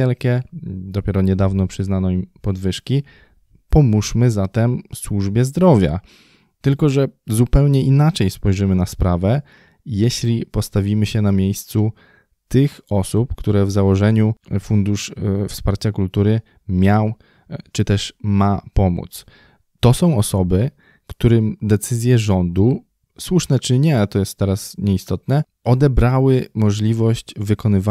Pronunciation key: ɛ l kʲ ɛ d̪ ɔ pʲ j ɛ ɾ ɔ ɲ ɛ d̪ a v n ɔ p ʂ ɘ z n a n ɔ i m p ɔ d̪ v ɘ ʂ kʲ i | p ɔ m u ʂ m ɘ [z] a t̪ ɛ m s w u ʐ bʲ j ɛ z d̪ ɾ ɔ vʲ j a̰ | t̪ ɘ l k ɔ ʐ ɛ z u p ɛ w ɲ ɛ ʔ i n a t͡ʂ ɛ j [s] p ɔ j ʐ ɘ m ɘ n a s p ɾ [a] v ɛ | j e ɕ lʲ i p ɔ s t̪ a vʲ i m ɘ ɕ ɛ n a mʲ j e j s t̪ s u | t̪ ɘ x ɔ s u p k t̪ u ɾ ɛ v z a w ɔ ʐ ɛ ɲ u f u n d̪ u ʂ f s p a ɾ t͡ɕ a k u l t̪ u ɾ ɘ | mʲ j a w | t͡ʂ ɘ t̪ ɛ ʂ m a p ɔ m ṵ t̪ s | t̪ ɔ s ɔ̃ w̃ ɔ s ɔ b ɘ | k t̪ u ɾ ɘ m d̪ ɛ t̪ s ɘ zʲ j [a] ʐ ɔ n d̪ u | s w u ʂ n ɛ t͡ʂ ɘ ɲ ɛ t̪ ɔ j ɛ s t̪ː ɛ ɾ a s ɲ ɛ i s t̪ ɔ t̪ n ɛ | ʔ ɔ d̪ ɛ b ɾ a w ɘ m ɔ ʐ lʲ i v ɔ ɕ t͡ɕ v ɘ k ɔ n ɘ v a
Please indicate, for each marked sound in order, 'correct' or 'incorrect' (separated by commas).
correct, correct, correct, incorrect